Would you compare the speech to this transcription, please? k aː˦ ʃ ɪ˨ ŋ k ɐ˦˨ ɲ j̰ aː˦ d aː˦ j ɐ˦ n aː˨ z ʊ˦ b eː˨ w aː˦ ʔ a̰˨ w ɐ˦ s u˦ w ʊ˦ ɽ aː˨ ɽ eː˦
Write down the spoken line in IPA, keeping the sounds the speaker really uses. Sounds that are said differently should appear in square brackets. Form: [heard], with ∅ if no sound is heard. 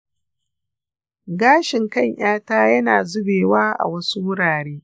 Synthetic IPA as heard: [ɡ] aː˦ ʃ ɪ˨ ŋ k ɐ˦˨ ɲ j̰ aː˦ [t] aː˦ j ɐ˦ n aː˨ z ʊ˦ b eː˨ w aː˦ ʔ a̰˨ w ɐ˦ s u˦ w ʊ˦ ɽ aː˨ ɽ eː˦